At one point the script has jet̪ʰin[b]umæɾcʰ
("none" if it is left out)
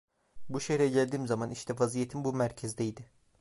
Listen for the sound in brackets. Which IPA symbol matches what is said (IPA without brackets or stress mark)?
b